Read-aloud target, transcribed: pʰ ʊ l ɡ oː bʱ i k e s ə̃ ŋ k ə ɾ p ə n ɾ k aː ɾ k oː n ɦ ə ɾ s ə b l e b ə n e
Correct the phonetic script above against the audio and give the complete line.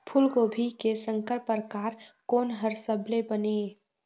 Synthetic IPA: pʰ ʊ l ɡ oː bʱ i k e s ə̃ ŋ k ə ɾ p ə ɾ k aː ɾ k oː n ɦ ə ɾ s ə b l e b ə n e